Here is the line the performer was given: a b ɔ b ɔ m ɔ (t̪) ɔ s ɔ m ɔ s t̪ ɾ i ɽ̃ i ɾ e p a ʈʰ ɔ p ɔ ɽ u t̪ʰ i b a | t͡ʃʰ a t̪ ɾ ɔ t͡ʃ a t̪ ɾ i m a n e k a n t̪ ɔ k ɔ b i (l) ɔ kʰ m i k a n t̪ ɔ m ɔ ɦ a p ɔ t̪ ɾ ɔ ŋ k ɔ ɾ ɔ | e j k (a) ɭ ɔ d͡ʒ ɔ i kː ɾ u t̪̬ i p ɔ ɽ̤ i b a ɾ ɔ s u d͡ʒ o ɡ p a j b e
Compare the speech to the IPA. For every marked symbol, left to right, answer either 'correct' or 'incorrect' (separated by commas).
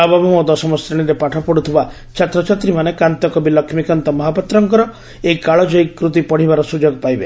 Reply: incorrect, correct, correct